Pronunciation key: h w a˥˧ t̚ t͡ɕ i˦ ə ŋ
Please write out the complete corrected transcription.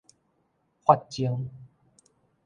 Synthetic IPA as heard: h w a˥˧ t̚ t͡ɕ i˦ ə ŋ